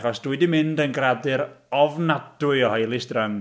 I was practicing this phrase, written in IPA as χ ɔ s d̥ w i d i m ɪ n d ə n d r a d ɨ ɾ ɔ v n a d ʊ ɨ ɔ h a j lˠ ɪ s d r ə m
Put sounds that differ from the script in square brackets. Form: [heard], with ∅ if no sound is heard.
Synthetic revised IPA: χ ɔ s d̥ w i d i m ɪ n d ə n [ɡ] r a d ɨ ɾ ɔ v n a d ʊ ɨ ɔ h a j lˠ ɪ s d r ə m